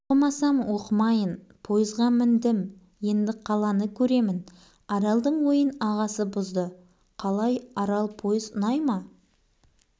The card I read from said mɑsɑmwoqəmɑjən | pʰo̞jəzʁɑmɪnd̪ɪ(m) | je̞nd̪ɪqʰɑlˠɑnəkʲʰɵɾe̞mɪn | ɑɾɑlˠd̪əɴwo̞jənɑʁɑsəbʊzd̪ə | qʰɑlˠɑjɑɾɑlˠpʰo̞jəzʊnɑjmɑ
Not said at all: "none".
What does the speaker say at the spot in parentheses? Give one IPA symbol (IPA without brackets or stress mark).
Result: m